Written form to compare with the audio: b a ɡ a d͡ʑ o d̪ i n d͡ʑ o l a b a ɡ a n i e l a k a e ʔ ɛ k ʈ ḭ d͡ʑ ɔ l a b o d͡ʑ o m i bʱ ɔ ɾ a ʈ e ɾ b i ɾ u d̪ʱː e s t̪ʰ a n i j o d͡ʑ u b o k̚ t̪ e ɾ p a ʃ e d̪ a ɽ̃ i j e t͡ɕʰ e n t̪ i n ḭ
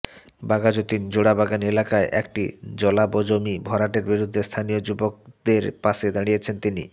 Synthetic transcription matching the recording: b a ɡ a d͡ʑ o t̪ i n d͡ʑ o ɽ a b a ɡ a n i e l a k a e ʔ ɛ k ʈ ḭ d͡ʑ ɔ l a b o d͡ʑ o m i bʱ ɔ ɾ a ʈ e ɾ b i ɾ u d̪ʱː e s t̪ʰ a n i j o d͡ʑ u b o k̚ d̪ e ɾ p a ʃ e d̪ a ɽ̃ i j e t͡ɕʰ e n t̪ i n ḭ